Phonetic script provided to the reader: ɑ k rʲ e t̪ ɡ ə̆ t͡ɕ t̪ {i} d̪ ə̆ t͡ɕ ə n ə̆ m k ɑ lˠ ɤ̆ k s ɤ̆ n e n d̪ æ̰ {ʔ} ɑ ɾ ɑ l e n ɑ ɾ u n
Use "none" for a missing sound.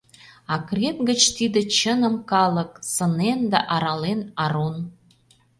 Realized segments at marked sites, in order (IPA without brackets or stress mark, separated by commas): i, ʔ